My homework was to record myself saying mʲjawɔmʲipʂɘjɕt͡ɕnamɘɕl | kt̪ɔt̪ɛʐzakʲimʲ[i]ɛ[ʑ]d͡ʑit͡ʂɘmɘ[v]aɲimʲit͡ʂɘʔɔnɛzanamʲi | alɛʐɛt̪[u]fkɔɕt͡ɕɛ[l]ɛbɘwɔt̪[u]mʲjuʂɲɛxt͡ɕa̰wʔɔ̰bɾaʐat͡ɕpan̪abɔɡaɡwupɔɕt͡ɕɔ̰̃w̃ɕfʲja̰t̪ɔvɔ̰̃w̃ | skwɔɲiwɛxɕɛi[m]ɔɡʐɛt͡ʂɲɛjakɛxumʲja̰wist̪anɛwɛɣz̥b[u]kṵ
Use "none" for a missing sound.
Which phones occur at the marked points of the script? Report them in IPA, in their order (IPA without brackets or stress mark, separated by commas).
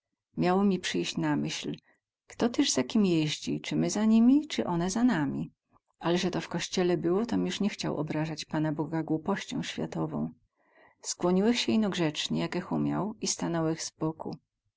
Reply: j, ʑ, z, ɔ, l, ɔ, n, ɔ